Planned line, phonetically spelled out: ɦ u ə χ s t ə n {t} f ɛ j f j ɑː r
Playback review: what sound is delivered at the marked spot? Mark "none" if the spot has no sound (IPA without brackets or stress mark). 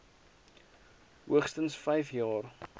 s